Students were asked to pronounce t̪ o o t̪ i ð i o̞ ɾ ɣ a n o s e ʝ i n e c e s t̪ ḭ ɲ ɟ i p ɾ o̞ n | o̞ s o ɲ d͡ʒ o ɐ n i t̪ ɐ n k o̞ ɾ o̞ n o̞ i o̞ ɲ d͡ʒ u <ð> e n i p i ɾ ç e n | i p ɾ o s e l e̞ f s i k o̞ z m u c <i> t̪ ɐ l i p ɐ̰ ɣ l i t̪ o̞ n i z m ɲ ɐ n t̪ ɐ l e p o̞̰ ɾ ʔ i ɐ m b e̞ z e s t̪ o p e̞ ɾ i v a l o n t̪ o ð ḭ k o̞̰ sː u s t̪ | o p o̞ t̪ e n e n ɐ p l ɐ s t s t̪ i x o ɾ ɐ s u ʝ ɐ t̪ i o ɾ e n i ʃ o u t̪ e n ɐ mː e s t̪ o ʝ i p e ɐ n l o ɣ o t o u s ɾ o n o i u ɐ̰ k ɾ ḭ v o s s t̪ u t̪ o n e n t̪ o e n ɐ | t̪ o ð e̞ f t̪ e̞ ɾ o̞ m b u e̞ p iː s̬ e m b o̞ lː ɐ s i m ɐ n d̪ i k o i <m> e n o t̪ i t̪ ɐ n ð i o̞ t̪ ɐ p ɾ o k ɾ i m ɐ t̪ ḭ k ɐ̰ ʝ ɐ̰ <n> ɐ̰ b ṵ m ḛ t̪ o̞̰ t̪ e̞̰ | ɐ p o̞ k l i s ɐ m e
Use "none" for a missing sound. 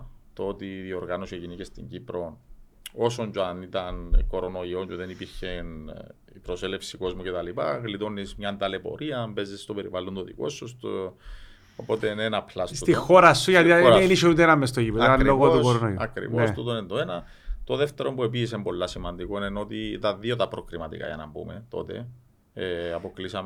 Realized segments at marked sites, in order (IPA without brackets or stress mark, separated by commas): ð, e, n, n